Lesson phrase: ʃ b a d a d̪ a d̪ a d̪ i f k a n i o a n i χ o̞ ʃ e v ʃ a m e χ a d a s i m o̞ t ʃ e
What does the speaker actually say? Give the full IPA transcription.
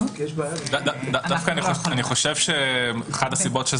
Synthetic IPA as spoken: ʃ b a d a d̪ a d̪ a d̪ a f k a n i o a n i χ o̞ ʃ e v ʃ e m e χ a d a s i b o̞ t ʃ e